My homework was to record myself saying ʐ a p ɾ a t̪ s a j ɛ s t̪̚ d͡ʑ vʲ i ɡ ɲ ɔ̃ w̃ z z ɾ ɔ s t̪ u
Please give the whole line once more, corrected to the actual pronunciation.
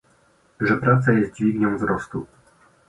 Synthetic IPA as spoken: ʐ ɛ p ɾ a t̪ s a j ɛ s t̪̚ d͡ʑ vʲ i ɡ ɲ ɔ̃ w̃ v z ɾ ɔ s t̪ u